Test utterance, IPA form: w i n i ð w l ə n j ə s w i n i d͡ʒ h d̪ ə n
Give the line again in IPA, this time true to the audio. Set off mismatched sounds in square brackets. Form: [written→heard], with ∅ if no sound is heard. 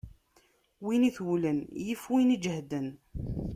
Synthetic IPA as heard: w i n i [ð→θ] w l ə n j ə [s→f] w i n i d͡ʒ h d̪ ə n